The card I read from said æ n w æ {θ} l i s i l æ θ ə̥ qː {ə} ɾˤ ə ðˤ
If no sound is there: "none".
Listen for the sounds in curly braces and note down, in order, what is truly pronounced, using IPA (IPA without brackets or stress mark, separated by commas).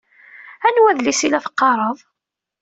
ð, ɑ